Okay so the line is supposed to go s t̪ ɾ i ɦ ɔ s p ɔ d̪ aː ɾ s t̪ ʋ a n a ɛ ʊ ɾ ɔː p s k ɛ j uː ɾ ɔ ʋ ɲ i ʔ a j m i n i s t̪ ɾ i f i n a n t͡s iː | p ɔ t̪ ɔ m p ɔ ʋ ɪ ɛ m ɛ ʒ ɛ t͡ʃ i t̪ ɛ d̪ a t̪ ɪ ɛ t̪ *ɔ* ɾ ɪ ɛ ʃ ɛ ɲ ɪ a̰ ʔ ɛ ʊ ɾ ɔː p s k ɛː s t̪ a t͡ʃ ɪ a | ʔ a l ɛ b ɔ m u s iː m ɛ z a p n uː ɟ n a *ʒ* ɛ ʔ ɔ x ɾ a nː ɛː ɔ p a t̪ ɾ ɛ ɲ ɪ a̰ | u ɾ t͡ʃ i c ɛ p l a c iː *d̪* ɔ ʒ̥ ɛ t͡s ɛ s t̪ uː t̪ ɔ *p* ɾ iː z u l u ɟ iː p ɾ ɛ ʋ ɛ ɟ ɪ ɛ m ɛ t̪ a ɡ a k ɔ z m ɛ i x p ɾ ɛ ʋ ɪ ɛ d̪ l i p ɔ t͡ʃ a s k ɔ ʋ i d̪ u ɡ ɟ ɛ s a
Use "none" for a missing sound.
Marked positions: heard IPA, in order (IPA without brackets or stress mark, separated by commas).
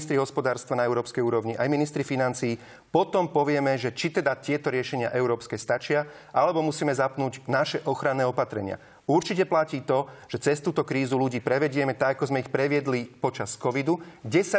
ɔ, ʃ, t̪, k